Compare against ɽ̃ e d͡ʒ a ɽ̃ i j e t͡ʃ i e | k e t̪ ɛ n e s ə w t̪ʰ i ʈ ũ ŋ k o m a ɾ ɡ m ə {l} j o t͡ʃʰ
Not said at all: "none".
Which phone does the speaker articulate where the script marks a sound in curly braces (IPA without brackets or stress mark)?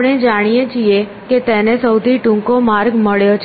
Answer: ɭ